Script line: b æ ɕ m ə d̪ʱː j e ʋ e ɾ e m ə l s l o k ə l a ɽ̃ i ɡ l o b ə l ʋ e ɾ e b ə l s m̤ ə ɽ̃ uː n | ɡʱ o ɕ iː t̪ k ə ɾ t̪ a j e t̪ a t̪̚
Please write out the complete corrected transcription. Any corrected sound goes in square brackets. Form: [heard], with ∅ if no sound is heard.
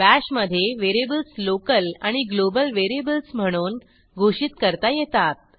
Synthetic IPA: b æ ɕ m ə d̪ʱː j e ʋ e ɾ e [b] ə l s l o k ə l a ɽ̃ i ɡ l o b ə l ʋ e ɾ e b ə l s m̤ ə ɽ̃ uː n | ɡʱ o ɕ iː t̪ k ə ɾ t̪ a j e t̪ a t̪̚